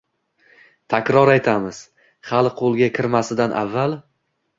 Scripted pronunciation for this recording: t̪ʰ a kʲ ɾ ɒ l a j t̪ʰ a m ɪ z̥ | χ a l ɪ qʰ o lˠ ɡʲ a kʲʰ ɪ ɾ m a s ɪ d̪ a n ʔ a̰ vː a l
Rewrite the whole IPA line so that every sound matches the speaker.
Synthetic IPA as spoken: t̪ʰ a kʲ ɾ ɒ ɾ a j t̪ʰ a m ɪ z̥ | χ a l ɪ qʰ o lˠ ɡʲ a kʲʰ ɪ ɾ m a s ɪ d̪ a n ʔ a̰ vː a l